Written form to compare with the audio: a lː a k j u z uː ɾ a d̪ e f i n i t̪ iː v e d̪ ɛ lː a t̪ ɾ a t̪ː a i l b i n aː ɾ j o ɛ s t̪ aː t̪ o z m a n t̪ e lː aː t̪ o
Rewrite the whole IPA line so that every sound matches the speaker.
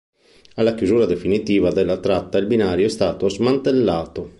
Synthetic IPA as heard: a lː a k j u z uː ɾ a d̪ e f i n i t̪ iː v a d̪ ɛ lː a t̪ ɾ a t̪ː a i l b i n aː ɾ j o ɛ s t̪ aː t̪ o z m a n t̪ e lː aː t̪ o